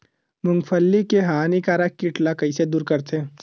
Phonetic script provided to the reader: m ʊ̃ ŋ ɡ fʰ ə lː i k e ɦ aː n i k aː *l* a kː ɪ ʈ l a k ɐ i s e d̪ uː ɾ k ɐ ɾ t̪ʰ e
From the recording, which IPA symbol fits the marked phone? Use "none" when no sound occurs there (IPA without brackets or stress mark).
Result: ɾ